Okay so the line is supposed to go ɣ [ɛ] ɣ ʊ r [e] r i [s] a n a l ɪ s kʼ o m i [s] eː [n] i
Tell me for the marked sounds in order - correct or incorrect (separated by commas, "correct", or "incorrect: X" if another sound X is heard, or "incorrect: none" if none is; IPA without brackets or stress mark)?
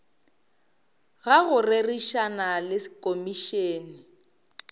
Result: incorrect: a, correct, incorrect: ʃ, incorrect: ʃ, correct